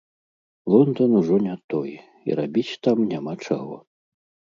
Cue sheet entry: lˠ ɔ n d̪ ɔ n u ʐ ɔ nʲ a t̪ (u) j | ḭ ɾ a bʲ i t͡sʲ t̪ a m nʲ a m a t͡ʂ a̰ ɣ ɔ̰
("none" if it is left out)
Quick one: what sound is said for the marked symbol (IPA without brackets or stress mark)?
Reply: ɔ